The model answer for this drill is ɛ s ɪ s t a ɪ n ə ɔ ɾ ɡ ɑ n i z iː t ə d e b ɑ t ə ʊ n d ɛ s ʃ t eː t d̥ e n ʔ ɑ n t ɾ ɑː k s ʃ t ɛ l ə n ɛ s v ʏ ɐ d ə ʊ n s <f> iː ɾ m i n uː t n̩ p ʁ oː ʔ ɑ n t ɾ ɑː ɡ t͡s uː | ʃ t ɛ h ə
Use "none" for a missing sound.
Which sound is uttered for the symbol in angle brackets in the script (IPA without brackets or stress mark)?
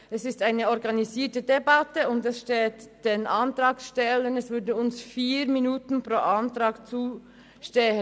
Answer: f